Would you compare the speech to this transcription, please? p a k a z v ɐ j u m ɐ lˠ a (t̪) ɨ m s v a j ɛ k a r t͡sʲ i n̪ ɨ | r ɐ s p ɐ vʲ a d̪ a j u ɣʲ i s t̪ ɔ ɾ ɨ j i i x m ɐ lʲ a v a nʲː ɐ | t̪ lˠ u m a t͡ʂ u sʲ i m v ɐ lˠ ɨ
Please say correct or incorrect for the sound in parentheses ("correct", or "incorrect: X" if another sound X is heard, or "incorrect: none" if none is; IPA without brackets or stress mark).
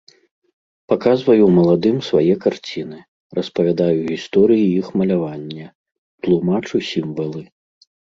incorrect: d̪